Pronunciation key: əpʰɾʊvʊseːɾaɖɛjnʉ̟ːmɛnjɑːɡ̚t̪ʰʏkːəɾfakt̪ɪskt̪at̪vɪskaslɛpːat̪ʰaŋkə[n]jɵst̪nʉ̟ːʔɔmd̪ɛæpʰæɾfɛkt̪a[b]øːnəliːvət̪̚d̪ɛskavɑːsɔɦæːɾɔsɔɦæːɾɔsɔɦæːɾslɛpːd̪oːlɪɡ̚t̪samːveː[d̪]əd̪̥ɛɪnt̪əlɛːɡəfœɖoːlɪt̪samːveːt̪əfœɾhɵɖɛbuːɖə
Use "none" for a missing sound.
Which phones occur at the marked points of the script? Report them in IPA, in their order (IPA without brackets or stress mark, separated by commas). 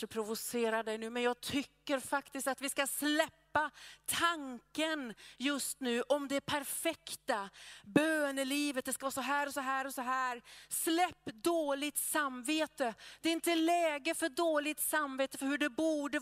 n, b, t̪